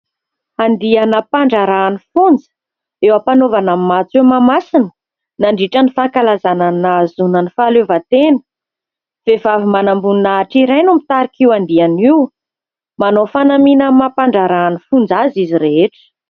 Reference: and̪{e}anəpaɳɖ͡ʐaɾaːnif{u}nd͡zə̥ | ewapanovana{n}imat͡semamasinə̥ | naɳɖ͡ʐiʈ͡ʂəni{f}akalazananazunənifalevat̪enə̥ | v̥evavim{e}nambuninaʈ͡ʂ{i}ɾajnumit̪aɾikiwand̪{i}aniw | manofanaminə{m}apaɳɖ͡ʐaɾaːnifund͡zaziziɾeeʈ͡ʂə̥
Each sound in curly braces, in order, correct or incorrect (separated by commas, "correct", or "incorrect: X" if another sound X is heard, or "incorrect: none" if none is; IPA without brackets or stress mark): incorrect: i, correct, incorrect: m, correct, incorrect: a, correct, correct, correct